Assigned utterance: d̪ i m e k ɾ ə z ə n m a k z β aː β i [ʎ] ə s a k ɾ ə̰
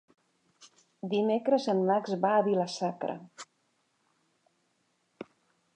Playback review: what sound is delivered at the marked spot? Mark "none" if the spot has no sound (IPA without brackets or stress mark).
l